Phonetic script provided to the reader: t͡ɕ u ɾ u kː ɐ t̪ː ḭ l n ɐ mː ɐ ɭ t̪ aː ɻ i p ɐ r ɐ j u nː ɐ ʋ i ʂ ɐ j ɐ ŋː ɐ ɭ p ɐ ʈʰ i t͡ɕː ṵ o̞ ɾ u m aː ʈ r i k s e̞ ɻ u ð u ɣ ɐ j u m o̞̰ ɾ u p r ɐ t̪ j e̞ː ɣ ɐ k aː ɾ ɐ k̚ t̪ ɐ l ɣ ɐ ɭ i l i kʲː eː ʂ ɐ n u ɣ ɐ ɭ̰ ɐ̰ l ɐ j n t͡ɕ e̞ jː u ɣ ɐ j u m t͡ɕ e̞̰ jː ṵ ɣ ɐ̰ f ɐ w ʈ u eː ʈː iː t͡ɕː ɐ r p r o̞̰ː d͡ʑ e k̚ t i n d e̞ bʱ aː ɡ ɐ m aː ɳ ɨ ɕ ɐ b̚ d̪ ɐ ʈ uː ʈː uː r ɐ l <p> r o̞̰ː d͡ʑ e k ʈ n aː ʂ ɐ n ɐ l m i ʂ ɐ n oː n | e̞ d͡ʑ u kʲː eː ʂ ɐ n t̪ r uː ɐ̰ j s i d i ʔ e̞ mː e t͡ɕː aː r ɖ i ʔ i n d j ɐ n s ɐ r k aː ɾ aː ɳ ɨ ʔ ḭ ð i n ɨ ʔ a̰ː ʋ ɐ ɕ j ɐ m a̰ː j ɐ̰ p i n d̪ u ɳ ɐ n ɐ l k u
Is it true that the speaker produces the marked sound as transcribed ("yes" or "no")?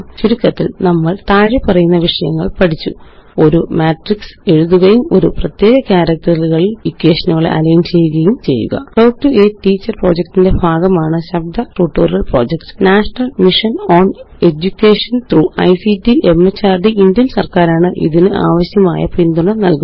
yes